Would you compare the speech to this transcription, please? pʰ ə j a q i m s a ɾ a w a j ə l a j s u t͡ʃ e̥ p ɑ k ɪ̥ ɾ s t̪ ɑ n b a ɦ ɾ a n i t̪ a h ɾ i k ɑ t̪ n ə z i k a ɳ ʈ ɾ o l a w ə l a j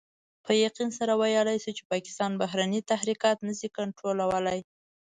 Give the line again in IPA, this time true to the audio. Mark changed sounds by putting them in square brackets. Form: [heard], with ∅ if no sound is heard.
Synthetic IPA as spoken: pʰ ə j a q i [n] s a ɾ a w a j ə l a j s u t͡ʃ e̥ p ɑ k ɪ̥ [∅] s t̪ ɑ n b a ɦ ɾ a n i t̪ a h ɾ i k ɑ t̪ n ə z i k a ɳ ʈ ɾ o l a w ə l a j